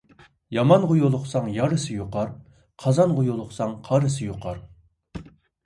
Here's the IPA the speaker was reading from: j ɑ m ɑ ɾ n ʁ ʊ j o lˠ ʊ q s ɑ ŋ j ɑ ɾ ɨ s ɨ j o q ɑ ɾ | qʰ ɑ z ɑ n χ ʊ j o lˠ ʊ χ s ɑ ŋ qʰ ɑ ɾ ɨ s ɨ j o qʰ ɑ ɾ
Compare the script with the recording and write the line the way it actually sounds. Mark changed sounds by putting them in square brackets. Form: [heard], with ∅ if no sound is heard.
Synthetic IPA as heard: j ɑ m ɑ [∅] n ʁ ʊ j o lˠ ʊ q s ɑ ŋ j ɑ ɾ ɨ s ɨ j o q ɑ ɾ | qʰ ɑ z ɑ n [ʁ] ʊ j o lˠ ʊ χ s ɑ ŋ qʰ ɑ ɾ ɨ s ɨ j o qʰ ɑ ɾ